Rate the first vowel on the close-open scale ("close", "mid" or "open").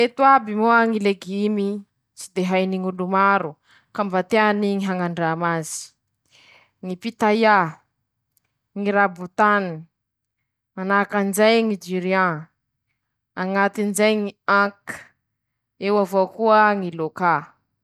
mid